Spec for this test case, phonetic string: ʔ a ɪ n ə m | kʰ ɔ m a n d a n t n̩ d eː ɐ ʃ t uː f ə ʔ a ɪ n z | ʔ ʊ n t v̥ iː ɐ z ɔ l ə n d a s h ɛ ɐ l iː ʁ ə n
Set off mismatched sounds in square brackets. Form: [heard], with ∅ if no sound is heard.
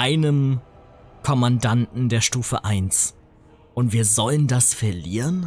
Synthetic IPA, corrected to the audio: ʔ a ɪ n ə m | kʰ ɔ m a n d a n t n̩ d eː ɐ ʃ t uː f ə ʔ a ɪ n [s] | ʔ ʊ n t v̥ iː ɐ z ɔ l ə n d a s [f] ɛ ɐ l iː ʁ ə n